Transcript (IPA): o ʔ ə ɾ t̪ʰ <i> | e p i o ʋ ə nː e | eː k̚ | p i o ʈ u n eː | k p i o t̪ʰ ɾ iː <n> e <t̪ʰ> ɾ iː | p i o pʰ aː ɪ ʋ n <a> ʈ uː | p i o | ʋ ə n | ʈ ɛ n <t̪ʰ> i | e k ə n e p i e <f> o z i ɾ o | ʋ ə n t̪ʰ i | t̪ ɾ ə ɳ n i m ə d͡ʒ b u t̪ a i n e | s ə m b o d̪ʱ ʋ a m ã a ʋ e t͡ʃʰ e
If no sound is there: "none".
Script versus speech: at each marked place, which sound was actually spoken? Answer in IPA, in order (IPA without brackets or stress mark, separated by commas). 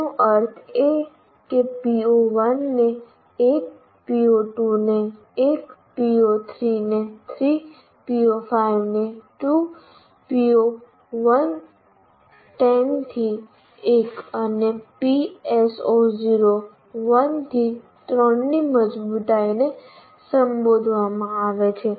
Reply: e, n, t̪ʰ, e, t̪ʰ, s